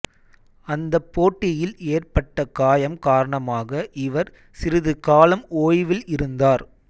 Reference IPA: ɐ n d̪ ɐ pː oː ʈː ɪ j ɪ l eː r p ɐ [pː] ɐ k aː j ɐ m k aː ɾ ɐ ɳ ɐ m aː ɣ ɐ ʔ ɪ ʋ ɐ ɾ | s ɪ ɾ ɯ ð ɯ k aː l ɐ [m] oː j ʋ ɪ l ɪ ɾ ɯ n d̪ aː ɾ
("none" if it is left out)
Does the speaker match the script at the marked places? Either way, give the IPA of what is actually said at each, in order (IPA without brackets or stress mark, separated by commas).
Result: ʈː, m